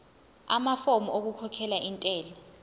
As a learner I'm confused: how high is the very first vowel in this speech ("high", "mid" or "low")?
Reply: low